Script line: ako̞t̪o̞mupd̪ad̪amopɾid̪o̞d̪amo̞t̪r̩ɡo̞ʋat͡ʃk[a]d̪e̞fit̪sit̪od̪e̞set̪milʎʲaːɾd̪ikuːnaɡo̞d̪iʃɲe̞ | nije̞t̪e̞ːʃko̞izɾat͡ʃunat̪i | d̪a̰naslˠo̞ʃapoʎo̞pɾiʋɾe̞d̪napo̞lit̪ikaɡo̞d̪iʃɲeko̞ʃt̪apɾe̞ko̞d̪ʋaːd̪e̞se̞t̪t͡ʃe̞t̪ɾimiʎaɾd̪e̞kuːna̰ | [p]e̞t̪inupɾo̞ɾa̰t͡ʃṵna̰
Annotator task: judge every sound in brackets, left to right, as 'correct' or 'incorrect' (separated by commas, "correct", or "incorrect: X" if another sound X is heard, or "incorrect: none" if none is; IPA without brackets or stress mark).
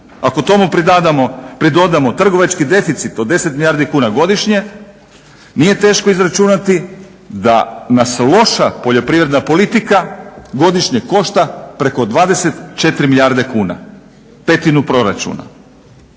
incorrect: i, correct